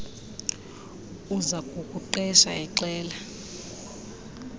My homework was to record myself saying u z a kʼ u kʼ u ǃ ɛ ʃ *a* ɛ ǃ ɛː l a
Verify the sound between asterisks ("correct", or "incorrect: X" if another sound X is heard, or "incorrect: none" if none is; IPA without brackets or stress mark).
correct